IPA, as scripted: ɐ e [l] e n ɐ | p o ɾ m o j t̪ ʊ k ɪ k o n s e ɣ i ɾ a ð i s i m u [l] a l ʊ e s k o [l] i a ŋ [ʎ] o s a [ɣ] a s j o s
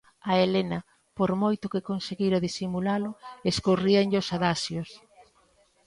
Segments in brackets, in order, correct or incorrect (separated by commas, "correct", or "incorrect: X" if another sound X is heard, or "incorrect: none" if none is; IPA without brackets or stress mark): correct, correct, incorrect: r, correct, incorrect: ð